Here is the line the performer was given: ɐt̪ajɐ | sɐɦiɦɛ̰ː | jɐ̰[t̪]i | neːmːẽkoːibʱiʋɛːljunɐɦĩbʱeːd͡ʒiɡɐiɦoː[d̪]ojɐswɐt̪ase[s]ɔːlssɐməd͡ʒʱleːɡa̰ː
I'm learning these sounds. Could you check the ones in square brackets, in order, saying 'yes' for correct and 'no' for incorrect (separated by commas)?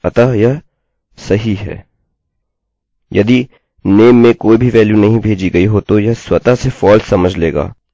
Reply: no, no, no